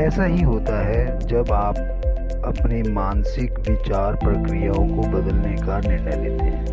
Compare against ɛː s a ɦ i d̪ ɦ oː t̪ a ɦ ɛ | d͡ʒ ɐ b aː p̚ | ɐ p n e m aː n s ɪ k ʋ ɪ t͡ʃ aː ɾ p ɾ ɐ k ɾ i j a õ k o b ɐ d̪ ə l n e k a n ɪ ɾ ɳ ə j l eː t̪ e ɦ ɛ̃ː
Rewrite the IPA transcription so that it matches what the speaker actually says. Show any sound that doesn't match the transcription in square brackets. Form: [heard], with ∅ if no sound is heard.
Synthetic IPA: ɛː s a ɦ i [∅] ɦ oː t̪ a ɦ ɛ | d͡ʒ ɐ b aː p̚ | ɐ p n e m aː n s ɪ k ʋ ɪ t͡ʃ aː ɾ p ɾ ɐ k ɾ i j a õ k o b ɐ d̪ ə l n e k a n ɪ ɾ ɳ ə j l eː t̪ e ɦ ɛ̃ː